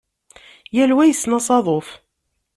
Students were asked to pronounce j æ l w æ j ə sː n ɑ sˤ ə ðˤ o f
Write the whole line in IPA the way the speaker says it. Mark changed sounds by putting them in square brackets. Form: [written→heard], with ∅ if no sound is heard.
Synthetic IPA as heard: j æ l w æ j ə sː n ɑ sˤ [ə→ɑ] ðˤ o f